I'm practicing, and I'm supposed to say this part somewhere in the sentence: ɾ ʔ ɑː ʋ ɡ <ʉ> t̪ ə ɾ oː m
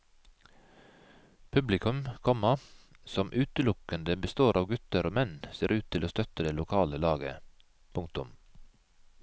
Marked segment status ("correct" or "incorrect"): correct